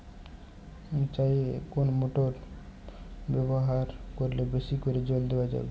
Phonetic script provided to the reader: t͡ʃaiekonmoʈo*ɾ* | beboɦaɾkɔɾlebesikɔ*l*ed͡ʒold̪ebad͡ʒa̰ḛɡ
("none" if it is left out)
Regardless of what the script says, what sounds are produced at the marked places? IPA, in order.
ɾ, ɾ

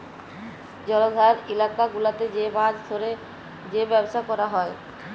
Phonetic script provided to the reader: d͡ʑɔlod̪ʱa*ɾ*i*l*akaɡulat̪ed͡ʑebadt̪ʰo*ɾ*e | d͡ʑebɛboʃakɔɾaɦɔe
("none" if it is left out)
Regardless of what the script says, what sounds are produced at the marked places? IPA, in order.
ɾ, l, ɾ

